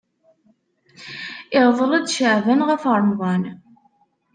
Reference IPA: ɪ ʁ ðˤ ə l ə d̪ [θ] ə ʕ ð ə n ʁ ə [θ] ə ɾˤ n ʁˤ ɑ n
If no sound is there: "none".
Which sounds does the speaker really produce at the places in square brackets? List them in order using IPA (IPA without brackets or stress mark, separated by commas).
ʃ, f